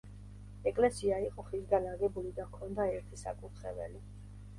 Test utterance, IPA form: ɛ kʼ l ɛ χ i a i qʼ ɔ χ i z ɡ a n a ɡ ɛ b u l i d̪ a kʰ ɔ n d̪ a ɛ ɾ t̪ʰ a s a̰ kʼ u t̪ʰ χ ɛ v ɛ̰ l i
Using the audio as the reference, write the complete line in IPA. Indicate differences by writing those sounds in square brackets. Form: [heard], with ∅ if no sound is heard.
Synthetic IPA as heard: ɛ kʼ l ɛ [s] i a i qʼ ɔ χ i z ɡ a n a ɡ ɛ b u l i d̪ a kʰ ɔ n d̪ a ɛ ɾ t̪ʰ [i] s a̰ kʼ u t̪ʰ χ ɛ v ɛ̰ l i

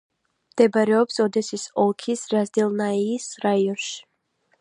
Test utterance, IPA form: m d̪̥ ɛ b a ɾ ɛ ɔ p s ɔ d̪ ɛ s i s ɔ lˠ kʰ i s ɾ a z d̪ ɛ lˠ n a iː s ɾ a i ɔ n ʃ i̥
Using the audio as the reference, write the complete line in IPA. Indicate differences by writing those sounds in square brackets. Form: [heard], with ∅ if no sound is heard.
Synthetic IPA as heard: m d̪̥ ɛ b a ɾ ɛ ɔ p s ɔ d̪ ɛ s i s ɔ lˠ kʰ i s ɾ a z d̪ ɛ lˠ n a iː s ɾ a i ɔ n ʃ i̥

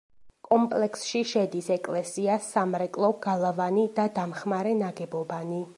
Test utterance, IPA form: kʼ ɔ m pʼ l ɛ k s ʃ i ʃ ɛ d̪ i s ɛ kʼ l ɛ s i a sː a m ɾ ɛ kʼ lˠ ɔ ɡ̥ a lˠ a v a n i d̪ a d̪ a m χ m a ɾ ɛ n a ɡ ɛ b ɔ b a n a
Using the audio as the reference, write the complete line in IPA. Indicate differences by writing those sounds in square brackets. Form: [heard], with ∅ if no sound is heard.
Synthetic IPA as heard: kʼ ɔ m pʼ l ɛ k s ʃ i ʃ ɛ d̪ i s ɛ kʼ l ɛ s i a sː a m ɾ ɛ kʼ lˠ ɔ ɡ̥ a lˠ a v a n i d̪ a d̪ a m χ m a ɾ ɛ n a ɡ ɛ b ɔ b a n [i]

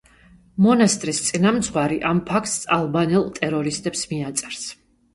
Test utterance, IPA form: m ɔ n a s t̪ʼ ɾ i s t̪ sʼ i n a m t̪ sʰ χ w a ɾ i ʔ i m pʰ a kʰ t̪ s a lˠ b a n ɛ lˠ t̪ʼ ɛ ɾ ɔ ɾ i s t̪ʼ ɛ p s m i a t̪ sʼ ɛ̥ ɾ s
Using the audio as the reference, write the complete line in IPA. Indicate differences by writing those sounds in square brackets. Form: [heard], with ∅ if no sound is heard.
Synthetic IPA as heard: m ɔ n a s t̪ʼ ɾ i s t̪ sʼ i n a m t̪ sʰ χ w a ɾ i ʔ [a] m pʰ a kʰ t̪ s a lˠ b a n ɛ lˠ t̪ʼ ɛ ɾ ɔ ɾ i s t̪ʼ ɛ p s m i a t̪ sʼ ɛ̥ ɾ s

